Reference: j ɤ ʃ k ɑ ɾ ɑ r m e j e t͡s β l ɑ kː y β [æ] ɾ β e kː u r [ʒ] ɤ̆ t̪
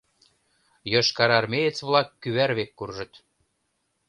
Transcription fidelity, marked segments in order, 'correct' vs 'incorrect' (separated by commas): correct, correct